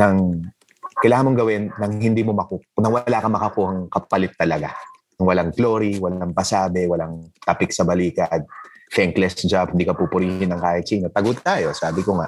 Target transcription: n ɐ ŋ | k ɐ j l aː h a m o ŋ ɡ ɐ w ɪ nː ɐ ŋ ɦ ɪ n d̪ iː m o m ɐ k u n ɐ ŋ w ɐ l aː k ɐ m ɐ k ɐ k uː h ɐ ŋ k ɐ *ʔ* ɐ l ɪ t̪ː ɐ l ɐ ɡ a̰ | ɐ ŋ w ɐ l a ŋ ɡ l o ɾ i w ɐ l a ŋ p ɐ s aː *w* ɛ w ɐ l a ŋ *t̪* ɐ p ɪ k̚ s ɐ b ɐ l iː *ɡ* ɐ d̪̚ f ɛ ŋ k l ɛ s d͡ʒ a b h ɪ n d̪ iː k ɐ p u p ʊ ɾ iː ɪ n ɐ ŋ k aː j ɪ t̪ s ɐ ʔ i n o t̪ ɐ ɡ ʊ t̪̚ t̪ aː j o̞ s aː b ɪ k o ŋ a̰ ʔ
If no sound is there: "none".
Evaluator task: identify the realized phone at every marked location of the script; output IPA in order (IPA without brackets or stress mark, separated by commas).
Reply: p, b, t̪, k